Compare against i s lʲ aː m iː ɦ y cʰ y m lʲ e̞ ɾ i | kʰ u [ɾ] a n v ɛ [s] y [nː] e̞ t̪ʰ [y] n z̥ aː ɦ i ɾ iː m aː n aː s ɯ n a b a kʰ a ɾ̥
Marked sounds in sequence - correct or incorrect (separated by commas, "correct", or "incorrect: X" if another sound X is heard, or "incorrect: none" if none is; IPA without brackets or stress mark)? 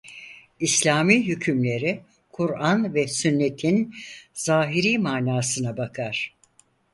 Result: correct, correct, correct, incorrect: i